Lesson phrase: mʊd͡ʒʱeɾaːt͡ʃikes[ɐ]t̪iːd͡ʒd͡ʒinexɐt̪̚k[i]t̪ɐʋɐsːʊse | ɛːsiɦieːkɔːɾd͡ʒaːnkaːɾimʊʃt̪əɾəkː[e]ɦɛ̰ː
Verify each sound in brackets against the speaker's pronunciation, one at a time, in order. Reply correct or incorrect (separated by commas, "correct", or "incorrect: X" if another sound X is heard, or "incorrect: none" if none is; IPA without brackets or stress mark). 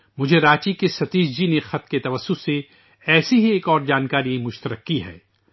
correct, incorrect: e, incorrect: i